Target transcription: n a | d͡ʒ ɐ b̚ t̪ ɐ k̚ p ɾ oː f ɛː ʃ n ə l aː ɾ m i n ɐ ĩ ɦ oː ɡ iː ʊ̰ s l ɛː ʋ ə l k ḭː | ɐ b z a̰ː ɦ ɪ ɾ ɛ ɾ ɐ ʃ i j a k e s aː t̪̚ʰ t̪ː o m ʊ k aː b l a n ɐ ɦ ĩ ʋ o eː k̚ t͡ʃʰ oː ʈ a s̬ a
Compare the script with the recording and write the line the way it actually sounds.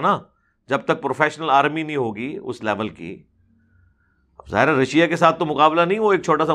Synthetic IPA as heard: n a | d͡ʒ ɐ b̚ t̪ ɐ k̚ p ɾ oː f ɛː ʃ n ə l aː ɾ m i n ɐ ĩ ɦ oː ɡ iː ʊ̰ s l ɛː ʋ ə l k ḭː | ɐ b z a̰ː ɦ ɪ ɾ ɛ ɾ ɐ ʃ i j a k e s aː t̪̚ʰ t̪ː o m ʊ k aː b l a n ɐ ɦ ĩ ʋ o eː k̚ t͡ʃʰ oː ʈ a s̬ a